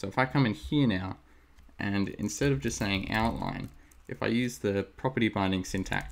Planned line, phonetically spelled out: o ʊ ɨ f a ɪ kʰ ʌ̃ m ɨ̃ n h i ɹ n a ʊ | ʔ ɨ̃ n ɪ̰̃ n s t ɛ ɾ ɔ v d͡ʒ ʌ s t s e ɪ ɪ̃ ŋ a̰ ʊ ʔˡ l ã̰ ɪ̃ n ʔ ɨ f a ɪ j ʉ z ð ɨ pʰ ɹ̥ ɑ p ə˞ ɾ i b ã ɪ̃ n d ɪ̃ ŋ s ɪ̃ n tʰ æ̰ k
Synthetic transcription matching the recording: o ʊ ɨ f a ɪ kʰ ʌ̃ m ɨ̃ n h i ɹ n a ʊ | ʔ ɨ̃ n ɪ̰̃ n s t ɛ ɾ ʌ v d͡ʒ ʌ s t s e ɪ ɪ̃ ŋ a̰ ʊ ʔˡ l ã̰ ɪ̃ n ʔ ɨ f a ɪ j ʉ z ð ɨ pʰ ɹ̥ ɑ p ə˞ ɾ i b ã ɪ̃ n d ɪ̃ ŋ s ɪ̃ n tʰ æ̰ k